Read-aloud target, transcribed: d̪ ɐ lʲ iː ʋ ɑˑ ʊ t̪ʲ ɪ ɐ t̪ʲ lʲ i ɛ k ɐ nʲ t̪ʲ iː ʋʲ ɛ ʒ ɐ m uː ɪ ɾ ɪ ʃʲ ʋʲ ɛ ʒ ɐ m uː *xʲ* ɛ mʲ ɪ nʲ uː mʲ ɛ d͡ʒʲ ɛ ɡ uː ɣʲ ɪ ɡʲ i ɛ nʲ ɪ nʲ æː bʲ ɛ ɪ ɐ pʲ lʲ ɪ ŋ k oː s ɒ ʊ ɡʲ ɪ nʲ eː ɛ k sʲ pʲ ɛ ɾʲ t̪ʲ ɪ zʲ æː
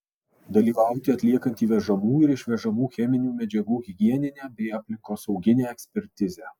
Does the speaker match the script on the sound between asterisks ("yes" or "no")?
yes